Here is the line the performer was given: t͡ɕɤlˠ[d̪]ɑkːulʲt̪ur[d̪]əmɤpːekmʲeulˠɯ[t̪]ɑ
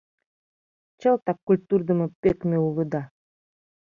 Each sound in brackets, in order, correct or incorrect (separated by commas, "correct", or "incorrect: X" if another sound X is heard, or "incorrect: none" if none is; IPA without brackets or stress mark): incorrect: t̪, correct, incorrect: d̪